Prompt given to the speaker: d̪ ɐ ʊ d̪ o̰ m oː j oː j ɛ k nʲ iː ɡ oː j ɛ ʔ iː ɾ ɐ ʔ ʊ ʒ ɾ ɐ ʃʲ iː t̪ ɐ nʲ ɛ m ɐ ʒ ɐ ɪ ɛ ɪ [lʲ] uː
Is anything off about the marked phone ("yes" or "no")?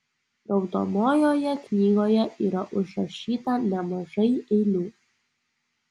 no